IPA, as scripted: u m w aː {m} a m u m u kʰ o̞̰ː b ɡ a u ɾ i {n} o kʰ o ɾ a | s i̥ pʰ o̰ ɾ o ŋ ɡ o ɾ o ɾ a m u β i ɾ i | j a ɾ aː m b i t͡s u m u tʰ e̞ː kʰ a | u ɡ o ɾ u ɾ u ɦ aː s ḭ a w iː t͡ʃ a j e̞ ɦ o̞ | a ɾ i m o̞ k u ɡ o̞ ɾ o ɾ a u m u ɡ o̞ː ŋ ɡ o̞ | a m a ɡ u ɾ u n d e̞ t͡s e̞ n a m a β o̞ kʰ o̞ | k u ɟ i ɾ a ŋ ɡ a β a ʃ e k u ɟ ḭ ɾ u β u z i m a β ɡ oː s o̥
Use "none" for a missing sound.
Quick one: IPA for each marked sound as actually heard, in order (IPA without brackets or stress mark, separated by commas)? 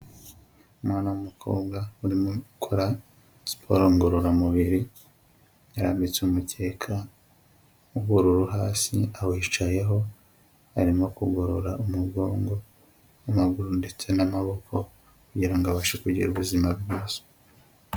n, m